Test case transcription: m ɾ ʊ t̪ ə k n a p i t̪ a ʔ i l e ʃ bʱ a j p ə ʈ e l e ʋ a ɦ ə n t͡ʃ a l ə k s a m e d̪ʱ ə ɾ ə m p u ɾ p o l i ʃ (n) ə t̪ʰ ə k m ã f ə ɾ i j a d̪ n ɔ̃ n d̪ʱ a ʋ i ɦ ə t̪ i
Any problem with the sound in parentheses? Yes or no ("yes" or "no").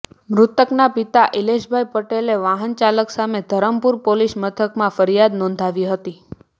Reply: yes